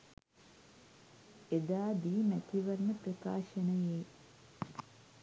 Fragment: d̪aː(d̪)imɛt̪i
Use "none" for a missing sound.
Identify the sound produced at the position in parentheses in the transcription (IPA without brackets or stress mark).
d̪